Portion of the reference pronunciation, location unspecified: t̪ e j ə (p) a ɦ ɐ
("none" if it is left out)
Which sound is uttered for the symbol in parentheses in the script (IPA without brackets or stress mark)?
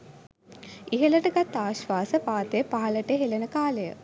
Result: p